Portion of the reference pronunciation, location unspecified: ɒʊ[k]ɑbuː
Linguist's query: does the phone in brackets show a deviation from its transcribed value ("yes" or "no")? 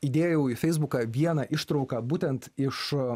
no